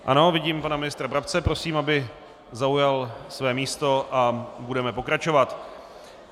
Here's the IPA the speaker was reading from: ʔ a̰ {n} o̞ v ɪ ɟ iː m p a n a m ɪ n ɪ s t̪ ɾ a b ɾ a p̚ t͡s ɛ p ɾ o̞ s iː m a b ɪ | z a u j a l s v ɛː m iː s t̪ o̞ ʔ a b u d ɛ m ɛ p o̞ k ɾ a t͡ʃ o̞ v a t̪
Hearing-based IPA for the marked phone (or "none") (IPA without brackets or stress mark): n